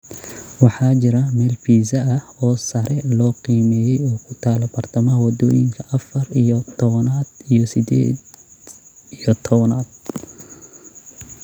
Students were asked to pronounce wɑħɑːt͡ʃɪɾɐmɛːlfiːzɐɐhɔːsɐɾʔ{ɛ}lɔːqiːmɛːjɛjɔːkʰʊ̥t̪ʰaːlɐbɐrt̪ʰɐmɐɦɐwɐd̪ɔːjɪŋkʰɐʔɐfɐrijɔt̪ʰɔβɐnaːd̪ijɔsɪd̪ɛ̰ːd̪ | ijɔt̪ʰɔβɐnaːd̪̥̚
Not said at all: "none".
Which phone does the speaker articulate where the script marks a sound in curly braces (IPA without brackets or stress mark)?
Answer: ɛ